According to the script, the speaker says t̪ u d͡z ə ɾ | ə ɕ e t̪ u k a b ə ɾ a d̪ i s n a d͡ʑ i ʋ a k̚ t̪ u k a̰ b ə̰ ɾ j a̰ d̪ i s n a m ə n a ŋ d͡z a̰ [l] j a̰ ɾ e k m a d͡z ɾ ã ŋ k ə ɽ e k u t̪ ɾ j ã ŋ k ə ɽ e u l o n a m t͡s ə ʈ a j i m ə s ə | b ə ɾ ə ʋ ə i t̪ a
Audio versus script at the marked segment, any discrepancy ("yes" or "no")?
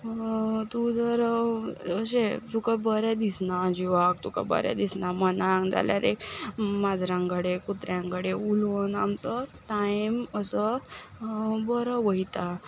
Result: no